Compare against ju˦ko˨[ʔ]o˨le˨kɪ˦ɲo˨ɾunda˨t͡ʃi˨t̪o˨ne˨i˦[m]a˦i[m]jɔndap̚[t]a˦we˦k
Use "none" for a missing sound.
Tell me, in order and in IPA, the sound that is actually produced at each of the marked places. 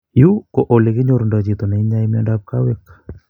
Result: ʔ, ɲ, m, k

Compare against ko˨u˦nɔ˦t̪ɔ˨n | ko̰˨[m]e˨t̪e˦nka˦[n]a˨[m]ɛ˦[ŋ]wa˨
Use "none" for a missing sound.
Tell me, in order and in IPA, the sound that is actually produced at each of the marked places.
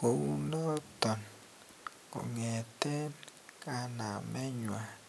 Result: ŋ, n, m, ɲ

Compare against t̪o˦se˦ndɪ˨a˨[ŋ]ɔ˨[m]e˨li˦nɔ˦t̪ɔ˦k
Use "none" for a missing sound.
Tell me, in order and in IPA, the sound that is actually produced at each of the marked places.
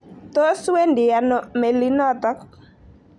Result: n, m

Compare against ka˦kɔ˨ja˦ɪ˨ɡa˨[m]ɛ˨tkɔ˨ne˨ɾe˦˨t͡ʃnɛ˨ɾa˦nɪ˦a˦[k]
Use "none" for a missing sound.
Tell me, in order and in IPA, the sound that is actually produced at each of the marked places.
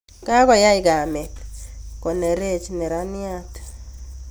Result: m, t

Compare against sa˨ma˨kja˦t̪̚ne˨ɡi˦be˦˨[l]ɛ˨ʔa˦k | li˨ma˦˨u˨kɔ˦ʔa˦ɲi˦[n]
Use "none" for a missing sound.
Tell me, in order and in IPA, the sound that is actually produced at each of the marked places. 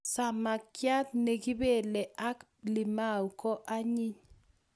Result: l, ɲ

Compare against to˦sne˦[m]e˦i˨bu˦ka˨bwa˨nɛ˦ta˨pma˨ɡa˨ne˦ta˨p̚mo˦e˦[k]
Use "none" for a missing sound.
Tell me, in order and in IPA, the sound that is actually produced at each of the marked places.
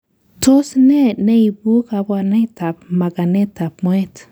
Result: n, t

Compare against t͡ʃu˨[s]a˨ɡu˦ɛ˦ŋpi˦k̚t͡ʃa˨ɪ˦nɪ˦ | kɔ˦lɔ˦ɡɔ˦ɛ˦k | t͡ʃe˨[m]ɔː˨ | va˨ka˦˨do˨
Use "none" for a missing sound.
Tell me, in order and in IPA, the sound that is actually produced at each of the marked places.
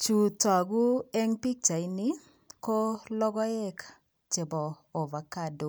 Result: t, b

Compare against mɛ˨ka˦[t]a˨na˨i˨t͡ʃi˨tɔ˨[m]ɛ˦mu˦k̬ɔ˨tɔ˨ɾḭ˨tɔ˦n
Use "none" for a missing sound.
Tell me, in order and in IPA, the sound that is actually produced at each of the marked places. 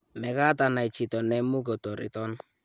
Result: t, n

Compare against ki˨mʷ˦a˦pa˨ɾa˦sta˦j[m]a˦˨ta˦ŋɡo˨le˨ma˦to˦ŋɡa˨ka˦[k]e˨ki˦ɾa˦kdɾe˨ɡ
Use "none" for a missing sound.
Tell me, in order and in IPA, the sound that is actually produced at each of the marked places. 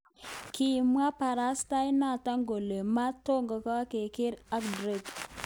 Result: n, k

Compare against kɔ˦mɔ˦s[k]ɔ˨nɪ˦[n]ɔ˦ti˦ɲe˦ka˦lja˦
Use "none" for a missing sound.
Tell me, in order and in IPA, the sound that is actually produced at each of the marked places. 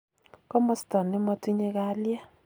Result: t, m

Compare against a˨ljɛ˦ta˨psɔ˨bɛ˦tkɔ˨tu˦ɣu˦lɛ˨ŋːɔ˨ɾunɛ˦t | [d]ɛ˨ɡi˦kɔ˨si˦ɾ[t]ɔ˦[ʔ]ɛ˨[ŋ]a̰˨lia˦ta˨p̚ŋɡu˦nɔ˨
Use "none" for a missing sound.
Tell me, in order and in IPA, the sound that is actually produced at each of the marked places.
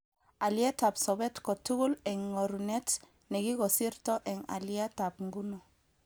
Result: n, t, ʔ, ŋ

